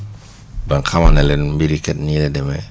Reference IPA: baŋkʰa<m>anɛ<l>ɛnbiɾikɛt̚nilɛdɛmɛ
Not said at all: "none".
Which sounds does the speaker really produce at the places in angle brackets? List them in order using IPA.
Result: m, l

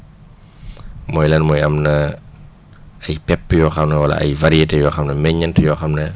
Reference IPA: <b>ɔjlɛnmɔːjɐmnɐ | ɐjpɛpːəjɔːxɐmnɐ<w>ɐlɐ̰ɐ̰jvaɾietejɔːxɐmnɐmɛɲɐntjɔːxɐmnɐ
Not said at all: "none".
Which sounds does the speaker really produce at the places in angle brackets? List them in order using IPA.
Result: m, w

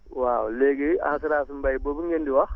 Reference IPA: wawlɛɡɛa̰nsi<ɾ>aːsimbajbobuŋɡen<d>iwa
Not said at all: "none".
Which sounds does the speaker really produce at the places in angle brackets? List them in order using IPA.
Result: ɾ, d

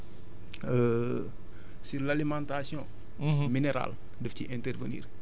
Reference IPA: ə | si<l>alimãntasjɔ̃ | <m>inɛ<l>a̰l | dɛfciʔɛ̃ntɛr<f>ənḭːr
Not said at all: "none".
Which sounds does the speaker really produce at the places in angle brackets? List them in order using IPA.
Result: l, m, ɾ, v

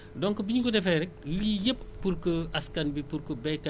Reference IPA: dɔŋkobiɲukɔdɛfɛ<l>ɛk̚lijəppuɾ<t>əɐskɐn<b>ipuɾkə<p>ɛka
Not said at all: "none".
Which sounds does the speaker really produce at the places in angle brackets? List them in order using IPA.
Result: ɾ, k, b, b

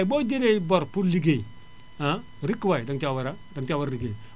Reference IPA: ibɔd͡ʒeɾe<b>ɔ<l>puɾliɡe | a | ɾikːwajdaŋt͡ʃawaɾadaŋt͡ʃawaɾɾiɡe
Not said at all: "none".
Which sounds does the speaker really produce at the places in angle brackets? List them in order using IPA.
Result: b, ɾ

